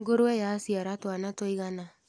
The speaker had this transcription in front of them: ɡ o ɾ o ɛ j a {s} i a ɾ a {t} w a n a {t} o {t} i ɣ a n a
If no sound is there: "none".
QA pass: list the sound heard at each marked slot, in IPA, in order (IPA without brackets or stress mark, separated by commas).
s, t, t, none